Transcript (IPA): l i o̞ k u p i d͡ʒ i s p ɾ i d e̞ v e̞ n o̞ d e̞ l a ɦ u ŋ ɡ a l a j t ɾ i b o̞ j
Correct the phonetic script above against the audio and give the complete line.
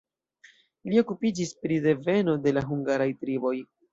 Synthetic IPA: l i o̞ k u p i d͡ʒ i s p ɾ i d e̞ v e̞ n o̞ d e̞ l a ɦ u ŋ ɡ a ɾ a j t ɾ i b o̞ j